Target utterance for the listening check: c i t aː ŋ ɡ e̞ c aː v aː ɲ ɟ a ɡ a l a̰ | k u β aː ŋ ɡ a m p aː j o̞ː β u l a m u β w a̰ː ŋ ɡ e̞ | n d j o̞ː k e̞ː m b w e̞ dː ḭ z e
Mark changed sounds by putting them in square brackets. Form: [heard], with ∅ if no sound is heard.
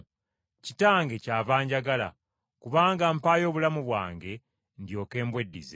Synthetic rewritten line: c i t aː ŋ ɡ e̞ c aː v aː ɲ ɟ a ɡ a l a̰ | k u β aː ŋ ɡ a m p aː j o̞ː β u l a m u β w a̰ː ŋ ɡ e̞ | n d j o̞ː k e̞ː m b w e̞ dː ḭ z e